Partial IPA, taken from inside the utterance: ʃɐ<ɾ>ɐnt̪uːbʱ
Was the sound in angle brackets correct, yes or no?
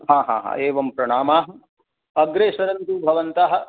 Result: yes